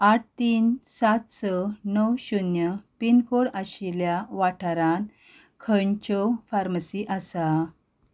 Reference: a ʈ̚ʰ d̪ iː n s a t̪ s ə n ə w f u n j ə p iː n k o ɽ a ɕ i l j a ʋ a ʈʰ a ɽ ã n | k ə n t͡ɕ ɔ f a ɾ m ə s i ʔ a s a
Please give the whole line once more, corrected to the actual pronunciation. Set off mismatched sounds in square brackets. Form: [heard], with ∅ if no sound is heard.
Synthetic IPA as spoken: a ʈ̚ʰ [t̪] iː n s a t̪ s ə n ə w [ɕ] u n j ə p [i] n k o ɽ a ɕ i l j a ʋ a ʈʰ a [ɾ] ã n | [kʰ] ə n t͡ɕ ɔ f a ɾ m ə s i ʔ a s a